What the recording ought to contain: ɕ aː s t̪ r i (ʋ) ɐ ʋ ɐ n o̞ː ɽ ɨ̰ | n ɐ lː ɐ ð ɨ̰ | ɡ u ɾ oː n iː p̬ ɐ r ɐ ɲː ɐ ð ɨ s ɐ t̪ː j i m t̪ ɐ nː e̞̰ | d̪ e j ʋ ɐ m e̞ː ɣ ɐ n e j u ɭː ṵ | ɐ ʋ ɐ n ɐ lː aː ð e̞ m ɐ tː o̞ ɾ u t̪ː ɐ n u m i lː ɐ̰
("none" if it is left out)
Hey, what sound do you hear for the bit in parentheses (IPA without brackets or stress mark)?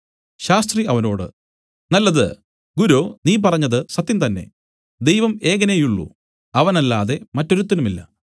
none